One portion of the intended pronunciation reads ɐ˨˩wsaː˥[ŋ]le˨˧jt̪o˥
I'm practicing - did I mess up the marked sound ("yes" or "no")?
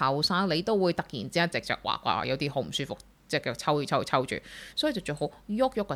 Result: no